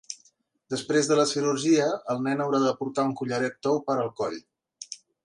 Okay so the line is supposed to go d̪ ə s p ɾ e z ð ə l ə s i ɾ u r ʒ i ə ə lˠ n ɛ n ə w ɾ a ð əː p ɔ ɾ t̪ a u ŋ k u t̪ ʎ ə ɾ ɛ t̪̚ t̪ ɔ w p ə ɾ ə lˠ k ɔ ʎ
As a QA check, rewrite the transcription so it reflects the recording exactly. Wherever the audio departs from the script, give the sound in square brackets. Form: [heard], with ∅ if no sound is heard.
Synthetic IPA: d̪ ə s p ɾ e z ð ə l ə s i ɾ u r ʒ i ə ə lˠ n ɛ n ə w ɾ a ð [ə] p [u] ɾ t̪ a u ŋ k u [∅] ʎ ə ɾ ɛ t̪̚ t̪ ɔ w p ə ɾ ə lˠ k ɔ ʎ